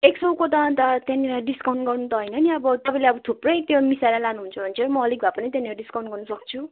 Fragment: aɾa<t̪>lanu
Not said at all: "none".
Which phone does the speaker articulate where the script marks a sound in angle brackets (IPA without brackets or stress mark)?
none